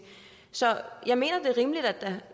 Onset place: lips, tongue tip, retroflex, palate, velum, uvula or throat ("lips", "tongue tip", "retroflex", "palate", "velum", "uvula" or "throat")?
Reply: tongue tip